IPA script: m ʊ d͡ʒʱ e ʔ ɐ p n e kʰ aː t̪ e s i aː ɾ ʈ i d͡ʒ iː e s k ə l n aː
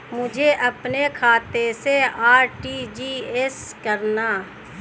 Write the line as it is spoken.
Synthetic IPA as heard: m ʊ d͡ʒʱ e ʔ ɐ p n e kʰ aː t̪ e s e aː ɾ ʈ i d͡ʒ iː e s k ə ɾ n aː